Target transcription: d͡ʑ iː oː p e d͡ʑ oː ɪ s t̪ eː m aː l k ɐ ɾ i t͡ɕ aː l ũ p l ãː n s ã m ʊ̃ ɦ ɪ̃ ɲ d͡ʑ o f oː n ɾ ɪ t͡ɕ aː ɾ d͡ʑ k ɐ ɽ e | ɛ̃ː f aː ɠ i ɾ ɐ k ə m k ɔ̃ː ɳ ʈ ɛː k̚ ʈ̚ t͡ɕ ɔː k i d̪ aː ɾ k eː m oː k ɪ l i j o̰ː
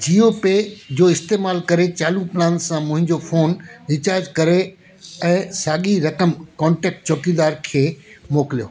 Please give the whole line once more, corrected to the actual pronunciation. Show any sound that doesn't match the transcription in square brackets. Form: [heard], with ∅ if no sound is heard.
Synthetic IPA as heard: d͡ʑ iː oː p e d͡ʑ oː ɪ s t̪ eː m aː l k ɐ ɾ [e] t͡ɕ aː l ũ p l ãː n s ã m ʊ̃ ɦ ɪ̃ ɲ d͡ʑ o f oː n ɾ ɪ t͡ɕ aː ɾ d͡ʑ k ɐ [ɾ] e | ɛ̃ː [s] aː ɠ i ɾ ɐ k ə m k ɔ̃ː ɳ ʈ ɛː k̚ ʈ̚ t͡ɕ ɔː k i d̪ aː ɾ [kʰ] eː m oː k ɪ l i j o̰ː